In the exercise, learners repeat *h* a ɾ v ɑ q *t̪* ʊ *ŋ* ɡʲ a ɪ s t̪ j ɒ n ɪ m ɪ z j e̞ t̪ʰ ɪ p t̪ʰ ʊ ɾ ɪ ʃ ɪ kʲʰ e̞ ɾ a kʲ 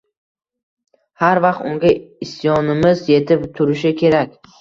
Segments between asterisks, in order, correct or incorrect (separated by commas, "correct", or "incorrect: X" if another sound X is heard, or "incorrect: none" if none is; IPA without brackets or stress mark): correct, correct, correct